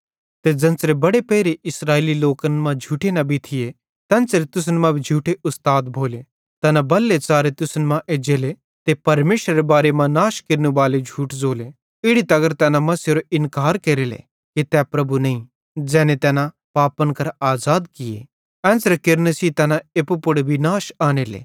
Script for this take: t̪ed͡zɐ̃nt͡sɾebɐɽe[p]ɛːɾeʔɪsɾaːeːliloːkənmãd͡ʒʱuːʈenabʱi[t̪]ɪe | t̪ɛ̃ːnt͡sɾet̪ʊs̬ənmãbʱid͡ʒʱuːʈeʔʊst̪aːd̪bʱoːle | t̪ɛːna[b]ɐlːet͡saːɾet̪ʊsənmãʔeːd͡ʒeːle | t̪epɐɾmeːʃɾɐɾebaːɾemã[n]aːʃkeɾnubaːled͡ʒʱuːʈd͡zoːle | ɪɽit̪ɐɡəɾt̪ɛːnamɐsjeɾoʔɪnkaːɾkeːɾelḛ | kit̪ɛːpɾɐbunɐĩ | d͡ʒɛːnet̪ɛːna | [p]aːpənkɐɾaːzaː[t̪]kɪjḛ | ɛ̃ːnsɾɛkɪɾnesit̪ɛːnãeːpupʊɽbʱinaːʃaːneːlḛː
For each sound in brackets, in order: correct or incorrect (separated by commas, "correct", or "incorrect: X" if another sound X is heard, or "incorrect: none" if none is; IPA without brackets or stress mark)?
correct, incorrect: t̪ʰ, correct, correct, correct, incorrect: d̪